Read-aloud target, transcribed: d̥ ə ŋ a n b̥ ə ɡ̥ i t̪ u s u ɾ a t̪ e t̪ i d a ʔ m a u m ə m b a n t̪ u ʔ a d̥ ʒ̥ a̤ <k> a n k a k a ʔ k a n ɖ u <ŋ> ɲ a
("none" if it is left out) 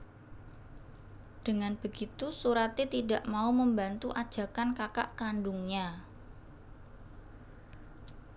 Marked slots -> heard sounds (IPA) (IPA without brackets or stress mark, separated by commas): k, ŋ